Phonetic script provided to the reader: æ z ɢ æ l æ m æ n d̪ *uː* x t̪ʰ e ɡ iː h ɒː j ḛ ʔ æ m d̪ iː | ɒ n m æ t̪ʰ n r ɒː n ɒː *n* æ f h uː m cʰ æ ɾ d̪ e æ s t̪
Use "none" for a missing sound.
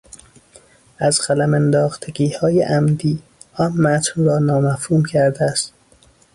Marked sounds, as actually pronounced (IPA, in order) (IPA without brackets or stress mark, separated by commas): ɒː, m